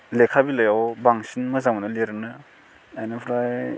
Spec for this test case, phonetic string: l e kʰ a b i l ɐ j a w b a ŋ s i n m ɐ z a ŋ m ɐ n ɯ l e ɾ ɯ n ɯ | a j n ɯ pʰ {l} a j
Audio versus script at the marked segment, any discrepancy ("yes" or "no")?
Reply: yes